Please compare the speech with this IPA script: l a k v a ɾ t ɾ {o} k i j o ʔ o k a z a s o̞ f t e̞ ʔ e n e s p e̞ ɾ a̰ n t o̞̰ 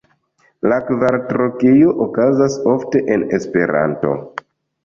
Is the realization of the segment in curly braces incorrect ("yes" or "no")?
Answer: no